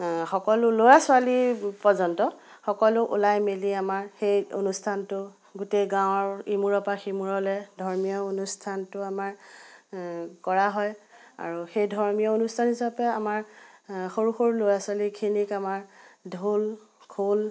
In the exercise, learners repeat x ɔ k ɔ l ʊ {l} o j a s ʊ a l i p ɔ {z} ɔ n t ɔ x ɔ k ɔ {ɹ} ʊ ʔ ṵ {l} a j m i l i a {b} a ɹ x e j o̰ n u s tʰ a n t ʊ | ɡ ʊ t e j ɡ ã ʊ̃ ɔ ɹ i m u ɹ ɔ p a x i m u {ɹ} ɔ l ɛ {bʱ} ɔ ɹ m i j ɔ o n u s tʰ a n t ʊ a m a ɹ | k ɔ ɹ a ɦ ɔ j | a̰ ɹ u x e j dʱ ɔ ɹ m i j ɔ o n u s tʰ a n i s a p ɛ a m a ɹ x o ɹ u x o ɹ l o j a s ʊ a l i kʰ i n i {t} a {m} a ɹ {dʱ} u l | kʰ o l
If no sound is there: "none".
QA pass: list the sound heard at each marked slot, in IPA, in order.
l, z, l, l, m, ɹ, dʱ, k, m, dʱ

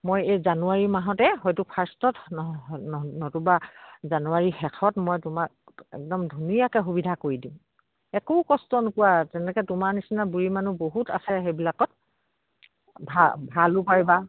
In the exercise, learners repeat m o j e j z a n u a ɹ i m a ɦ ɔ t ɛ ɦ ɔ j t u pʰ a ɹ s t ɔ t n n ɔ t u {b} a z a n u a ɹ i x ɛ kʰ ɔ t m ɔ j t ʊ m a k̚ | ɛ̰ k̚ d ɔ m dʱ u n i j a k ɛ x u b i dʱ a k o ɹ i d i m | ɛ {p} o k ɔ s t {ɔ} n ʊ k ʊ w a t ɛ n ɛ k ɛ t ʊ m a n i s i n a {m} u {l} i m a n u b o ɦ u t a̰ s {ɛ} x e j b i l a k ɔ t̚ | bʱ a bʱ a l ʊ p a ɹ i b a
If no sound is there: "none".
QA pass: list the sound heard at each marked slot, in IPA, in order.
b, k, ɔ, b, ɹ, ɛ

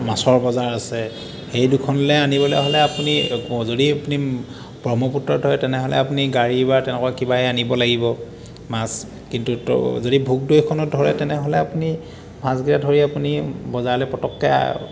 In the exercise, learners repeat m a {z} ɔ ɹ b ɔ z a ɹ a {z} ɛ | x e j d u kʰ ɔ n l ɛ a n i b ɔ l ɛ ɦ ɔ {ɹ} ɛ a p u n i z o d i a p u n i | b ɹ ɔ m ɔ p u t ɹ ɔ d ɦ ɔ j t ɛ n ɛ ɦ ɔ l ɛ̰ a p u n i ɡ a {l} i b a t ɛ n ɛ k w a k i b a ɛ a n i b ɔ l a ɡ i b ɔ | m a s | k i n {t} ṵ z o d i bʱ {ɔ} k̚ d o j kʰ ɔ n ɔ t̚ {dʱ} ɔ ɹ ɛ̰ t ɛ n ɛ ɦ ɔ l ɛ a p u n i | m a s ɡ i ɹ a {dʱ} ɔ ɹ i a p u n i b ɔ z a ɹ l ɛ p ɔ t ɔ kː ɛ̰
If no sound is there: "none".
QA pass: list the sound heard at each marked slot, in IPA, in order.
s, s, l, ɹ, t, u, dʱ, dʱ

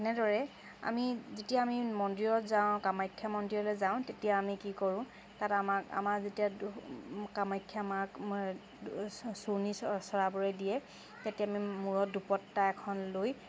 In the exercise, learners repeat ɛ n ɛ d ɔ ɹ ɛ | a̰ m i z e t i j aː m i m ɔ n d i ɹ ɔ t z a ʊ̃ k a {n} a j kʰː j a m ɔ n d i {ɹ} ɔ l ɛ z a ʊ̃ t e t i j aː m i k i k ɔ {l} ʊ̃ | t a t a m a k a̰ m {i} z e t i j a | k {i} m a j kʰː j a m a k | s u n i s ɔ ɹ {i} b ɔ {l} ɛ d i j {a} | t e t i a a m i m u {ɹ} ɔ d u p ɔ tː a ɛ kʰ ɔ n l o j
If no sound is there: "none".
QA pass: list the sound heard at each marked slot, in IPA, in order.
m, ɹ, ɹ, a, a, a, ɹ, ɛ, ɹ

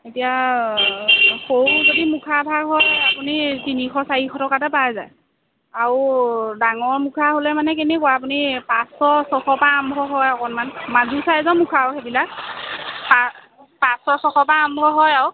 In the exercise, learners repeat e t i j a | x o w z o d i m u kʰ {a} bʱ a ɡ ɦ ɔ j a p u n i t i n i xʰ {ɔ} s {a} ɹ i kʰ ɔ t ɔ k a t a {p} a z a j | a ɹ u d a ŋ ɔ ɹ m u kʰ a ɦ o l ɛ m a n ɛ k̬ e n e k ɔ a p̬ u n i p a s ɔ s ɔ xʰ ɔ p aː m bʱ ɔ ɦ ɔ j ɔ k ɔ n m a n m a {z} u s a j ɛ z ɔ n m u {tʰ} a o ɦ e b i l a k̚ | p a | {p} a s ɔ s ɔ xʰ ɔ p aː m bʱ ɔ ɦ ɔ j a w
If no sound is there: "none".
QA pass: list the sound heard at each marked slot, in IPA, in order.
a, ɔ, a, p, z, kʰ, p

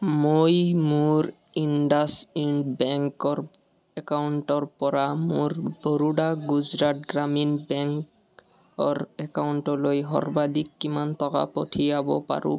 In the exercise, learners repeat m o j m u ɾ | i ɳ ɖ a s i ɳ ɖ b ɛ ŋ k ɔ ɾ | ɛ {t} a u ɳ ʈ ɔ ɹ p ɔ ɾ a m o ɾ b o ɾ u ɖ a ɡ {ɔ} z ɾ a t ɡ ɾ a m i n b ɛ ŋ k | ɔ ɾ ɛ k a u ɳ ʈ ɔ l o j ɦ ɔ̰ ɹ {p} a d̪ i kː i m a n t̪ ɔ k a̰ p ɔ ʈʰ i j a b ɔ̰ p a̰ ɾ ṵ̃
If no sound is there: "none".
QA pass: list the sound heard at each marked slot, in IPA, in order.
k, u, b

